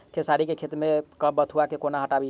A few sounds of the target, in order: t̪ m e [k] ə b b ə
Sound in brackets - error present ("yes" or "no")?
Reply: no